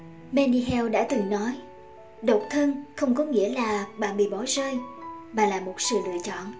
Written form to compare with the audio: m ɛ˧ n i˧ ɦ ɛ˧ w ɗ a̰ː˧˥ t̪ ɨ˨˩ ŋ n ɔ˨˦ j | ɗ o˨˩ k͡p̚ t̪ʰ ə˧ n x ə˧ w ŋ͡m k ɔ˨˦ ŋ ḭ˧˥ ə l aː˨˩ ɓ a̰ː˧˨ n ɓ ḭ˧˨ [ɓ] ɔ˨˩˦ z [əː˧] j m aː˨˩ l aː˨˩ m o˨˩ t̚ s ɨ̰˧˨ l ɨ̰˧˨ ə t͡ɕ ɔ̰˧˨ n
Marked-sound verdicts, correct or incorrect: correct, correct

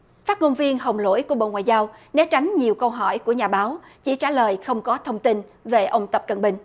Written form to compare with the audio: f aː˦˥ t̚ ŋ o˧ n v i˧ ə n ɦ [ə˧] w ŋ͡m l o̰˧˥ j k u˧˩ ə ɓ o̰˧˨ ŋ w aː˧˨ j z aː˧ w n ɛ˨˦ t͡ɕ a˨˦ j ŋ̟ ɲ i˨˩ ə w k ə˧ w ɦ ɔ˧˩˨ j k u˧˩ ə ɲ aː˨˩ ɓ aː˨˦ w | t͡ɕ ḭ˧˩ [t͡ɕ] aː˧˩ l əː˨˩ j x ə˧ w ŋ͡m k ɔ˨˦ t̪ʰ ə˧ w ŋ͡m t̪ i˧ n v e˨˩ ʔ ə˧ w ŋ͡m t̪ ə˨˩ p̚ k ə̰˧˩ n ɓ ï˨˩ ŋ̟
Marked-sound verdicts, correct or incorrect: incorrect: ə˨˩, correct

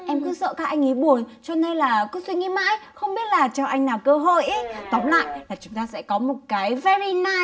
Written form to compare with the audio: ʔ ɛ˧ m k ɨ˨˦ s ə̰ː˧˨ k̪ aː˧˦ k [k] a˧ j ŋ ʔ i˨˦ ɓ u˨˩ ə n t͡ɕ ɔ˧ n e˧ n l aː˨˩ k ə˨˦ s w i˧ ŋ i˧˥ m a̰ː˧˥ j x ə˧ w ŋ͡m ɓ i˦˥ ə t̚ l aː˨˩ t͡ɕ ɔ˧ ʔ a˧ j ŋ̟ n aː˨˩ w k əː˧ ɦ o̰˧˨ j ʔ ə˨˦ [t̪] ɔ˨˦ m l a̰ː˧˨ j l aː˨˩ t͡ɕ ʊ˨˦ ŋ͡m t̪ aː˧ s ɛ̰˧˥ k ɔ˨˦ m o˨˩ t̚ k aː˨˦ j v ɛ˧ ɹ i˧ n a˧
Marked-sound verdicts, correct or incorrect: incorrect: ʔ, correct

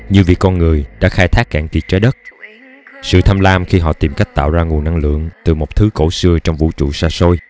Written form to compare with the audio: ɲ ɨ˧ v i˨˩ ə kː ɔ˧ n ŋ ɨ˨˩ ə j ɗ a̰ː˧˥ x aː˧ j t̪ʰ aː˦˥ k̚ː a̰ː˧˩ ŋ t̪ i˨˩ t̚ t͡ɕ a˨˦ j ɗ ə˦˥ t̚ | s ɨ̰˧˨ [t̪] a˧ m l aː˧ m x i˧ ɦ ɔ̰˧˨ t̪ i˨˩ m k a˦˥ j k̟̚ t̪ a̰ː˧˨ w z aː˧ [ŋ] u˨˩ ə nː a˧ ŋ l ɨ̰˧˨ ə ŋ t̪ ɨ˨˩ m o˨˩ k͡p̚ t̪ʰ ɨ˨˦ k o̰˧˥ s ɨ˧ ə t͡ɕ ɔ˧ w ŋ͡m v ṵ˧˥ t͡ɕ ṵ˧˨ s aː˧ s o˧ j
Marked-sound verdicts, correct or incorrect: incorrect: t̪ʰ, correct

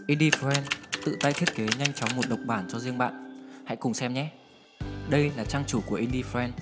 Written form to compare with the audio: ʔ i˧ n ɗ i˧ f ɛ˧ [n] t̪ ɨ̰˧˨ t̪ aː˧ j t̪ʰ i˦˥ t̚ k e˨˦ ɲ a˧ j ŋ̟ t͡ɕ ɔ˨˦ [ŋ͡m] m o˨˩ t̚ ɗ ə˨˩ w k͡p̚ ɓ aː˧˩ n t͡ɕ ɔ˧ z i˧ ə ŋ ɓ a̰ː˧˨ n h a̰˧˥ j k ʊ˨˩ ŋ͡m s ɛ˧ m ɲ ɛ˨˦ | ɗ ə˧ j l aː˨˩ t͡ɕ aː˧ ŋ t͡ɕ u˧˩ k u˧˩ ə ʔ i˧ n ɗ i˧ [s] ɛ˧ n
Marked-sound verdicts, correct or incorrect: correct, correct, incorrect: f

